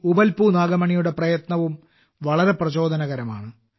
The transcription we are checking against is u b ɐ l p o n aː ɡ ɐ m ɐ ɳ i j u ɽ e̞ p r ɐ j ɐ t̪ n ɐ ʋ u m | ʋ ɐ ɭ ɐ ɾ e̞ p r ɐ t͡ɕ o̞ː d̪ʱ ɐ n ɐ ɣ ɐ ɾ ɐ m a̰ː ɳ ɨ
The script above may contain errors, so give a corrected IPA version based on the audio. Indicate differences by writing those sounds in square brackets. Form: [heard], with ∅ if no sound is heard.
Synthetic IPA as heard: u b ɐ l p [u] n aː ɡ ɐ m ɐ ɳ i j u ɽ e̞ p r ɐ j ɐ t̪ n ɐ ʋ u m | ʋ ɐ ɭ ɐ ɾ e̞ p r ɐ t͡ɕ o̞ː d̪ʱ ɐ n ɐ ɣ ɐ ɾ ɐ m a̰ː ɳ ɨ